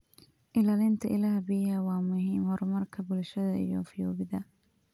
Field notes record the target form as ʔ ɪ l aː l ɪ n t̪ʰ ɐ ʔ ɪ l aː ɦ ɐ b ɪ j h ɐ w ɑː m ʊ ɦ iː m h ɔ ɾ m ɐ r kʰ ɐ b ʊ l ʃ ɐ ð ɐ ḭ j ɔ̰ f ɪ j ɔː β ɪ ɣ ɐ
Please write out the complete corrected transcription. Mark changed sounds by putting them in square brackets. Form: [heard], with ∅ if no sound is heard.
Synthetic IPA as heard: ʔ ɪ l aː l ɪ n t̪ʰ ɐ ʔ ɪ l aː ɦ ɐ b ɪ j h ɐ w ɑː m ʊ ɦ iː m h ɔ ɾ m ɐ r kʰ ɐ b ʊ l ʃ ɐ ð ɐ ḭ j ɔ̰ f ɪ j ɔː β ɪ [ð] ɐ

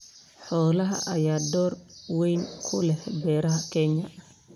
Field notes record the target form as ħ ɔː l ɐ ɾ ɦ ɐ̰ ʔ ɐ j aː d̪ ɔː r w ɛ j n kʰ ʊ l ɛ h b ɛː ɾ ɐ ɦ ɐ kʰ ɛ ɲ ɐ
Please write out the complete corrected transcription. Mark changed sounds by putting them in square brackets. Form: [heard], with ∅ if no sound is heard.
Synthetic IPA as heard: ħ ɔː l ɐ [∅] ɦ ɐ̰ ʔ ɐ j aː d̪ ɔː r w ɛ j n kʰ ʊ l ɛ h b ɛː ɾ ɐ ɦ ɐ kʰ ɛ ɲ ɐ

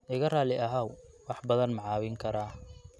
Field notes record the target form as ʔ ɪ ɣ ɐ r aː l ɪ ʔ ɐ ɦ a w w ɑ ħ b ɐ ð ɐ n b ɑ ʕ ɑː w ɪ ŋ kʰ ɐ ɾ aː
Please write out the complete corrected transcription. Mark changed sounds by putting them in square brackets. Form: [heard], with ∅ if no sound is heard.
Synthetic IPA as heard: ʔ ɪ ɣ ɐ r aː l ɪ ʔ ɐ ɦ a w w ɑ ħ b ɐ ð ɐ n [m] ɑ ʕ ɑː w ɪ ŋ kʰ ɐ ɾ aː

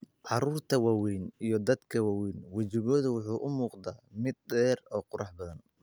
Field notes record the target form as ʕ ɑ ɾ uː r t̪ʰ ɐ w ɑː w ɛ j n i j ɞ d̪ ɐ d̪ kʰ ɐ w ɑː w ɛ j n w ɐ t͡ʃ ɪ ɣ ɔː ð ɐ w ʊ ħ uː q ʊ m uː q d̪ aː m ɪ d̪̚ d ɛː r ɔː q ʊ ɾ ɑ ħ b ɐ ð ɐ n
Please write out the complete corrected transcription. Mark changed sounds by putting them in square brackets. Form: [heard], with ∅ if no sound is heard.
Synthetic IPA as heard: ʕ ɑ ɾ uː r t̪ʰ ɐ w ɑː w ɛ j n i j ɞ d̪ ɐ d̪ kʰ ɐ w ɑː w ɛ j n w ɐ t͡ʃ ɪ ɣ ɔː ð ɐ w ʊ ħ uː [ʔ] ʊ m uː q d̪ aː m ɪ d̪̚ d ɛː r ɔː q ʊ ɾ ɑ ħ b ɐ ð ɐ n

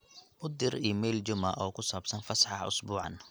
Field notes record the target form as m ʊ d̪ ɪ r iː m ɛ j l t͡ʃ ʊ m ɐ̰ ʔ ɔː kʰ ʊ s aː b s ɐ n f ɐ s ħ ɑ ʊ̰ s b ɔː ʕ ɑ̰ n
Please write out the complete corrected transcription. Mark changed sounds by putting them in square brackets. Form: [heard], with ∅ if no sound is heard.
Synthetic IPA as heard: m ʊ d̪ ɪ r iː m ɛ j l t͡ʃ ʊ m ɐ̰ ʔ ɔː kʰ ʊ s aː b s ɐ n f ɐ s ħ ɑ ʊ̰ s b [uː] ʕ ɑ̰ n

